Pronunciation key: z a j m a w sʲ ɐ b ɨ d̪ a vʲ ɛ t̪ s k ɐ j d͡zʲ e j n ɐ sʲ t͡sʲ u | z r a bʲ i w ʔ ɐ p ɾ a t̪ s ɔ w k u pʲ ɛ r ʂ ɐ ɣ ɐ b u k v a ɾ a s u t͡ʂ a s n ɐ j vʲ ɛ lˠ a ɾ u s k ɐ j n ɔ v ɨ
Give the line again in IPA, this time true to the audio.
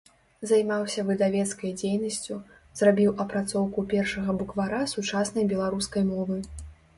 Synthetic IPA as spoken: z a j m a w sʲ ɐ v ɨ d̪ a vʲ ɛ t̪ s k ɐ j d͡zʲ e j n ɐ sʲ t͡sʲ u | z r a bʲ i w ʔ ɐ p ɾ a t̪ s ɔ w k u pʲ ɛ r ʂ ɐ ɣ ɐ b u k v a ɾ a s u t͡ʂ a s n ɐ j bʲ ɛ lˠ a ɾ u s k ɐ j m ɔ v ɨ

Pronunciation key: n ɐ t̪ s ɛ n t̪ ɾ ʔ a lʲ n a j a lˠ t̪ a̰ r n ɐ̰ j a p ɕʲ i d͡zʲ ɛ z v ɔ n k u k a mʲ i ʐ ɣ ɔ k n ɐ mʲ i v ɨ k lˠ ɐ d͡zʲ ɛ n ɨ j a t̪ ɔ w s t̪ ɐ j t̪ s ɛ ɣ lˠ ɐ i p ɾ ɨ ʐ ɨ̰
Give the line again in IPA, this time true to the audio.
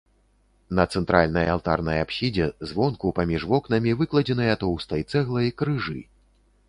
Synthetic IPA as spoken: n ɐ t̪ s ɛ n t̪ ɾ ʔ a lʲ n ɐ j a lˠ t̪ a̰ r n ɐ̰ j a p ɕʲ i d͡zʲ ɛ z v ɔ n k u p a mʲ i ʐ v ɔ k n ɐ mʲ i v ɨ k lˠ ɐ d͡zʲ ɛ n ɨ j a t̪ ɔ w s t̪ ɐ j t̪ s ɛ ɣ lˠ ɐ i k ɾ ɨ ʐ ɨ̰

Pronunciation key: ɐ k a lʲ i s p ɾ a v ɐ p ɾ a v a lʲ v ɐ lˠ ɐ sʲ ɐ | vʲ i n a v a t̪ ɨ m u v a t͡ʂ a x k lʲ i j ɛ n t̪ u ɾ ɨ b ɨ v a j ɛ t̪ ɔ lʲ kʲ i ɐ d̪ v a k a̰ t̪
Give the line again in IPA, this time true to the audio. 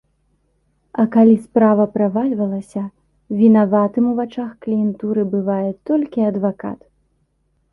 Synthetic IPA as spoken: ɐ k a lʲ i s p ɾ a v ɐ p ɾ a v a lʲ v ɐ lˠ ɐ sʲ ɐ | vʲ i n a v a t̪ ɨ m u v a t͡ʂ a x k lʲ i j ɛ n t̪ u ɾ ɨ b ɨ v a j ɛ t̪ ɔ lʲ kʲ i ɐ d̪ v a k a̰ t̪

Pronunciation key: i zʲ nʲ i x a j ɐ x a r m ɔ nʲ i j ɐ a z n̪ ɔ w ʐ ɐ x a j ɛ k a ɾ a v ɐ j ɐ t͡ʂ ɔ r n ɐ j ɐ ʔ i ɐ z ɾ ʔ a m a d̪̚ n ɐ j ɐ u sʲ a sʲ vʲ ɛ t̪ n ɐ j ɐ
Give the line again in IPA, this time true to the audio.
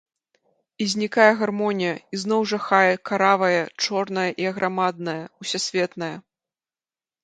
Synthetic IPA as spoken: i zʲ nʲ i k a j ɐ ɣ a r m ɔ nʲ i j ɐ i z n̪ ɔ w ʐ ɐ x a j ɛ k a ɾ a v ɐ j ɐ t͡ʂ ɔ r n ɐ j ɐ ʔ i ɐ ɣ ɾ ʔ a m a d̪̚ n ɐ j ɐ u sʲ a sʲ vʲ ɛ t̪ n ɐ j ɐ

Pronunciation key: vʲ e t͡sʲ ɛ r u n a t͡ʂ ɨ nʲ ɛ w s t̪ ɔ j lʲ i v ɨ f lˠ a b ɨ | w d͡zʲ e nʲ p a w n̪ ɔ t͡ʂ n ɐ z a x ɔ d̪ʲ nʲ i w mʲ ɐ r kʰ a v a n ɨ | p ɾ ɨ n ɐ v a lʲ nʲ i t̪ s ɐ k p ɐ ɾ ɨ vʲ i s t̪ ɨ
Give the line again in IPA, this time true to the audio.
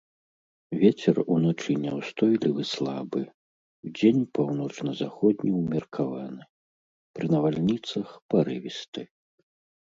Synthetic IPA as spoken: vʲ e t͡sʲ ɛ r u n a t͡ʂ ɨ nʲ ɛ w s t̪ ɔ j lʲ i v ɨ s lˠ a b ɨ | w d͡zʲ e nʲ p a w n̪ ɔ t͡ʂ n ɐ z a x ɔ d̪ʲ nʲ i w mʲ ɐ r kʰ a v a n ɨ | p ɾ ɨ n ɐ v a lʲ nʲ i t̪ s ɐ x p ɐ ɾ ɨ vʲ i s t̪ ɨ

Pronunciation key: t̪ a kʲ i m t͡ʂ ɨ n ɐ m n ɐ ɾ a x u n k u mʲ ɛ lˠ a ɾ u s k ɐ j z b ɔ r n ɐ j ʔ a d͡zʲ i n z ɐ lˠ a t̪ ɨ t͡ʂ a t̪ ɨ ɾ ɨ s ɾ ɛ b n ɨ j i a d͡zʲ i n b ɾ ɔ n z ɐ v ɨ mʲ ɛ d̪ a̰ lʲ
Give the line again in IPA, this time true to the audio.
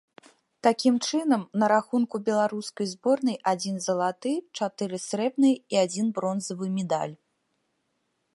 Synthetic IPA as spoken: t̪ a kʲ i m t͡ʂ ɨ n ɐ m n ɐ ɾ a x u n k u bʲ ɛ lˠ a ɾ u s k ɐ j z b ɔ r n ɐ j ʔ a d͡zʲ i n z ɐ lˠ a t̪ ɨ t͡ʂ a t̪ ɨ ɾ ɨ s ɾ ɛ b n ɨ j i a d͡zʲ i n b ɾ ɔ n z ɐ v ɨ mʲ ɛ d̪ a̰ lʲ

